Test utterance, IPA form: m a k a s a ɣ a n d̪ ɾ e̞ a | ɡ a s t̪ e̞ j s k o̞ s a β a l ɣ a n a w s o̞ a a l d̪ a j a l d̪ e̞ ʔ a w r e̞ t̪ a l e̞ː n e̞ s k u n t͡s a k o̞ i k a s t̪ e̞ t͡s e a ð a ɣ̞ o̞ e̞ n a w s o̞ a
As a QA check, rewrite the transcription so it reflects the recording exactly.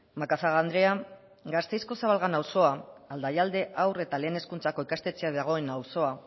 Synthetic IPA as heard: m a k a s a ɣ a n d̪ ɾ e̞ a | ɡ a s t̪ e̞ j s k o̞ s a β a l ɣ a n a w s o̞ a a l d̪ a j a l d̪ e̞ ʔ a w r e̞ t̪ a l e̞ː n e̞ s k u n t͡s a k o̞ i k a s t̪ e̞ t͡s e a ð a ɣ̞ o̞ e̞ n a w s o̞ a